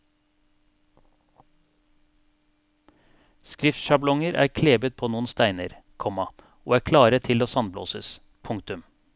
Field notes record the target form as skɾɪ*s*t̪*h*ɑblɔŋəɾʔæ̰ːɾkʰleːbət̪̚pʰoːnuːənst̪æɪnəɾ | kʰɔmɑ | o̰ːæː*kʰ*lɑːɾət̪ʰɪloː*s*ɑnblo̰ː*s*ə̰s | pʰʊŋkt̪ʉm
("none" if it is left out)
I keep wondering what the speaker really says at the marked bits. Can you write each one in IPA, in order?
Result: f, ʃ, kʰ, s, s

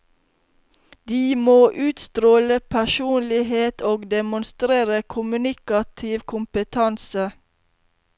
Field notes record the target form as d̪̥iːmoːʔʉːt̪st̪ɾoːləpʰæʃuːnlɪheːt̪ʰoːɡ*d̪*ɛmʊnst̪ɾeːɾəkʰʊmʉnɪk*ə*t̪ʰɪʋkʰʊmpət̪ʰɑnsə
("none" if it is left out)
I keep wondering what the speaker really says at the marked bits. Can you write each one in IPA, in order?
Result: d̪, ɑ

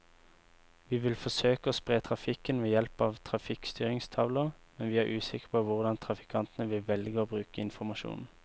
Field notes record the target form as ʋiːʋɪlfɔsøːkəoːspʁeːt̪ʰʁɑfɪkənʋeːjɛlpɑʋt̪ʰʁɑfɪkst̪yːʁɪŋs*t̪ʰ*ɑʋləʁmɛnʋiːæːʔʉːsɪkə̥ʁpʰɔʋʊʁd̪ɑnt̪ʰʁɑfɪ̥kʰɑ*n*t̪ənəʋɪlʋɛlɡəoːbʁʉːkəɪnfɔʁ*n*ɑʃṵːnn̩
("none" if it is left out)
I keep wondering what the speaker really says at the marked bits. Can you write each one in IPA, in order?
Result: t̪ʰ, n, m

